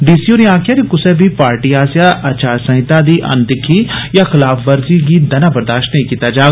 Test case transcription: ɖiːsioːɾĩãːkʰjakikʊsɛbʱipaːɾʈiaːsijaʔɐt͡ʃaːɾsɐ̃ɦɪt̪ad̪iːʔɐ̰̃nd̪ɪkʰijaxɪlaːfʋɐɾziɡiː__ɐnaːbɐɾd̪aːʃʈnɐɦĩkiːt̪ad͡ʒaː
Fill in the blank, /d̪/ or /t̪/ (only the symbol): d̪